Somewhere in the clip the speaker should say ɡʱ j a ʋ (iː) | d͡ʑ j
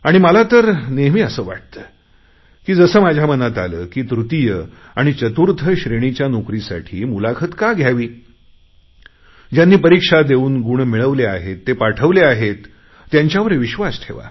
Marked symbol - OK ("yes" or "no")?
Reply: yes